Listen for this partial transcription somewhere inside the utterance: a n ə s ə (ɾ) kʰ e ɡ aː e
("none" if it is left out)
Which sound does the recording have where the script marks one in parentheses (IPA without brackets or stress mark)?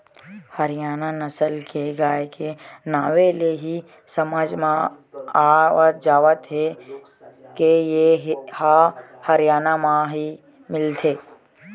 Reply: l